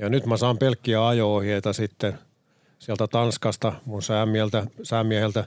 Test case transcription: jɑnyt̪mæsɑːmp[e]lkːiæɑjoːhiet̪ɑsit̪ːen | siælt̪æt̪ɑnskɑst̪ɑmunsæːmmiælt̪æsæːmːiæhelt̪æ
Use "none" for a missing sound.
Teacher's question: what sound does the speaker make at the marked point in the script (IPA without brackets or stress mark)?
e